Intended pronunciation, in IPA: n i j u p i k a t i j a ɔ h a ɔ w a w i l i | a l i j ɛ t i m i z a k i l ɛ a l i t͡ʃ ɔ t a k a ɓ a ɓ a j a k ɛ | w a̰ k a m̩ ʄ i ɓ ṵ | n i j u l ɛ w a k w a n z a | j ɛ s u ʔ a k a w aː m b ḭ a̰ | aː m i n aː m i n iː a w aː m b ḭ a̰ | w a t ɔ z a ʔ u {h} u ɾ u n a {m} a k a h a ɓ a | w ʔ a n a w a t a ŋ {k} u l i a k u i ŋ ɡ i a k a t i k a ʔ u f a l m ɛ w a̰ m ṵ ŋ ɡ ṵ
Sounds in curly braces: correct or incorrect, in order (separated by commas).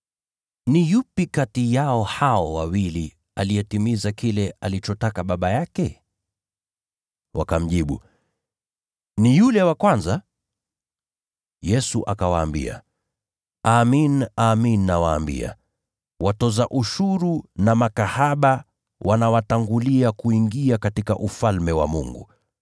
incorrect, correct, incorrect